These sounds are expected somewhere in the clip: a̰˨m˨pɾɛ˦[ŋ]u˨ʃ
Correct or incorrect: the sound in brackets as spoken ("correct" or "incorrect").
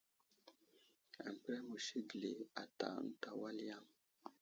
incorrect